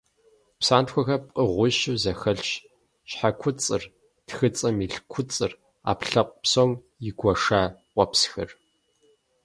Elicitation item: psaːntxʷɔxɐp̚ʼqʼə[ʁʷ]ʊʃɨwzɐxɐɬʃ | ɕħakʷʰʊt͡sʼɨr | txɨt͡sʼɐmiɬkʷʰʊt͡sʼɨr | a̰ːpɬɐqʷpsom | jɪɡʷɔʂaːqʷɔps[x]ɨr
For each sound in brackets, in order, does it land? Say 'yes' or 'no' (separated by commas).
yes, yes